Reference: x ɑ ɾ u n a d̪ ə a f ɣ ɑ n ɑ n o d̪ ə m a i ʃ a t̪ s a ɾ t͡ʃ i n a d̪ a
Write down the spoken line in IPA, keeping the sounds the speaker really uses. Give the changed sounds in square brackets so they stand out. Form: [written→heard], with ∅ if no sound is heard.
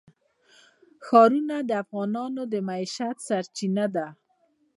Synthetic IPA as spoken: x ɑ ɾ u n a d̪ ə a f ɣ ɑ n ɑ n o d̪ ə m a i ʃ a t̪ s a ɾ t͡ʃ i n a d̪ a